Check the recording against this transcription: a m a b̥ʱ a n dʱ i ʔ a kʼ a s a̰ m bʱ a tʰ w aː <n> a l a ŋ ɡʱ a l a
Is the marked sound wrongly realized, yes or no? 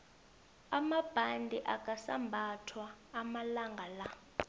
yes